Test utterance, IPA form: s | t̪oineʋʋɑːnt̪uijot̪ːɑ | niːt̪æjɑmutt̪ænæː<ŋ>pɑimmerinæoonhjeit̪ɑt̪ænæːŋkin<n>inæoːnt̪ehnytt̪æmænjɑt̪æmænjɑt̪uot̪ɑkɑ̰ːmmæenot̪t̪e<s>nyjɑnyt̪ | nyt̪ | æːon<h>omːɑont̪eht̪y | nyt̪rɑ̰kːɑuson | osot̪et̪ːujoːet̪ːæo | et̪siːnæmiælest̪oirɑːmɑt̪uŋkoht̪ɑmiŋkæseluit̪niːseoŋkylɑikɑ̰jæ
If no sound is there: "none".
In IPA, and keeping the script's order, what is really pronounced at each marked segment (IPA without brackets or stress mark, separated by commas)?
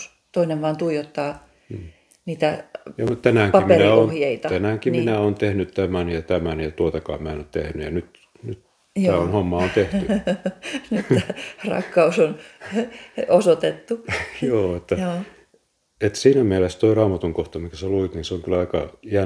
ŋ, m, h, h